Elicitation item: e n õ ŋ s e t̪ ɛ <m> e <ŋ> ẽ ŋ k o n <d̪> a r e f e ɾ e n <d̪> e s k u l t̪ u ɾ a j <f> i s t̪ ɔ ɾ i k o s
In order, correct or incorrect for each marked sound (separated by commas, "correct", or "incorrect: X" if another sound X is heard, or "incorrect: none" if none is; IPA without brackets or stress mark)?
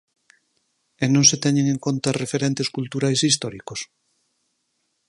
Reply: incorrect: ɲ, correct, incorrect: t̪, incorrect: t̪, incorrect: s